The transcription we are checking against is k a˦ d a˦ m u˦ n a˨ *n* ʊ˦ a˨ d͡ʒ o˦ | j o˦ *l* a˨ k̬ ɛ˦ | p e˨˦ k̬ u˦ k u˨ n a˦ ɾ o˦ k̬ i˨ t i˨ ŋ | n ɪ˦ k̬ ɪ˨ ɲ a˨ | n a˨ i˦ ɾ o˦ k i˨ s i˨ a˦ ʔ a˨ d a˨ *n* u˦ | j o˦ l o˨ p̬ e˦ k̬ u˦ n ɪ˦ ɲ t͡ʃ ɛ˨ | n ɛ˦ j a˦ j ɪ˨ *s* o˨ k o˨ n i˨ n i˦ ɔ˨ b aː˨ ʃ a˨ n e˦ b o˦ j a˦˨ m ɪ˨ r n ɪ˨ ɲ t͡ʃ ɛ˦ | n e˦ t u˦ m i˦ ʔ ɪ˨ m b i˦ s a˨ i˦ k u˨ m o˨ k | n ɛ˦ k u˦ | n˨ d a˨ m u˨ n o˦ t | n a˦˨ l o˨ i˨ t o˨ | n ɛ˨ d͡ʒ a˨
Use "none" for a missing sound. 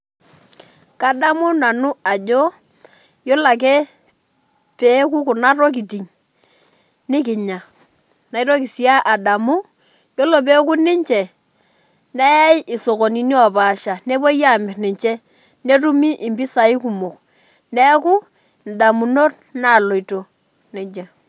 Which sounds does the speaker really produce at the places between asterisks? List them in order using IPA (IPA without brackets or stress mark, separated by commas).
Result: n, l, m, s